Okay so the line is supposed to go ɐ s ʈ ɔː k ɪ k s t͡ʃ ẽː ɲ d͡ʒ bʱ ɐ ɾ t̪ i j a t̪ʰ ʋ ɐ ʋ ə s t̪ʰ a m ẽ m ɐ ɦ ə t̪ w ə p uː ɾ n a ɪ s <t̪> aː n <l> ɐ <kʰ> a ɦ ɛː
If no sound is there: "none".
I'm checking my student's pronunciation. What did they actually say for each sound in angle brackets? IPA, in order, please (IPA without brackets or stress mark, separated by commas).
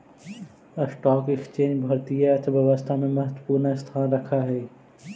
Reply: t̪ʰ, ɾ, kʰ